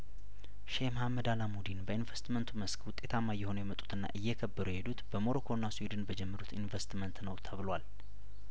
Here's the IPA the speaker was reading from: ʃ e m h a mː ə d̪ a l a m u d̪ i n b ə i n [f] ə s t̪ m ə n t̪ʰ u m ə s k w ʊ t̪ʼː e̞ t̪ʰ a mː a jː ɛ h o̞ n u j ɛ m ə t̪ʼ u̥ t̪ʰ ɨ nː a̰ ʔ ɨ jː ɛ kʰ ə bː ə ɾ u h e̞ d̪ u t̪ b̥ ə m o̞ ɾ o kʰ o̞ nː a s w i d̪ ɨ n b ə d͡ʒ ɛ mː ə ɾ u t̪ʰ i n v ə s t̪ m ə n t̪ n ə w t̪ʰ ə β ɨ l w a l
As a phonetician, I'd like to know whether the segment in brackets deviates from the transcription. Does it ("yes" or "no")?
yes